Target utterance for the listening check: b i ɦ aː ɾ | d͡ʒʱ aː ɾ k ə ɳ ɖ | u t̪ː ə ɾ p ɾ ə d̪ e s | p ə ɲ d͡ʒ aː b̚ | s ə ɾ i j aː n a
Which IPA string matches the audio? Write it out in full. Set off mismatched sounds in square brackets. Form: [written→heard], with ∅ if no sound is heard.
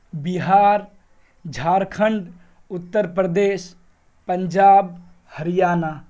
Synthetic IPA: b i ɦ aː ɾ | d͡ʒʱ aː ɾ [k→kʰ] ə ɳ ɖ | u t̪ː ə ɾ p ɾ ə d̪ e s | p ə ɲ d͡ʒ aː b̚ | [s→h] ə ɾ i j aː n a